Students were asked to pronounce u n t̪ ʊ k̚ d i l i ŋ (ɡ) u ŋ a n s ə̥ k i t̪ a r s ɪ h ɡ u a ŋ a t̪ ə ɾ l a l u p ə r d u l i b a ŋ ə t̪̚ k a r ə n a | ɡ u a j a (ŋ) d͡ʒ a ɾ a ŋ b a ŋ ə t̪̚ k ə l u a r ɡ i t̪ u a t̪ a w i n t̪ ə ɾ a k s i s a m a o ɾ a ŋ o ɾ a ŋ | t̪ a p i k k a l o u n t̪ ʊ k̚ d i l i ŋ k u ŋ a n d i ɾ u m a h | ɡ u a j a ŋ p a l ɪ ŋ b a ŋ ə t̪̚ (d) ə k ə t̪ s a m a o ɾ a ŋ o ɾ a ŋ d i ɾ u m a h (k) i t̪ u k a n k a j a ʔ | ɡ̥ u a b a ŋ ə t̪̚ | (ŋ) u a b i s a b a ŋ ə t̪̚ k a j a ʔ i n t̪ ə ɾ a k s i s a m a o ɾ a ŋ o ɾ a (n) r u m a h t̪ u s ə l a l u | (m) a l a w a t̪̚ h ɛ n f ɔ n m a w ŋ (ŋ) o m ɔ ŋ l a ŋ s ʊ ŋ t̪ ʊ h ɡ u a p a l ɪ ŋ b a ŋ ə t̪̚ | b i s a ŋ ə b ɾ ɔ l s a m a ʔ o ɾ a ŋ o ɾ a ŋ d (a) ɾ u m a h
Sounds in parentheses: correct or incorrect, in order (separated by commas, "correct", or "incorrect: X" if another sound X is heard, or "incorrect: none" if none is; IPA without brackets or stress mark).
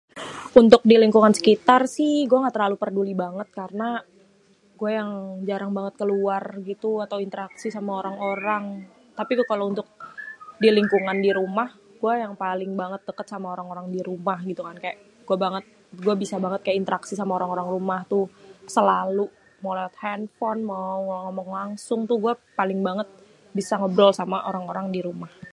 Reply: incorrect: k, correct, correct, incorrect: ɡ, incorrect: ɡ, incorrect: ŋ, correct, correct, incorrect: i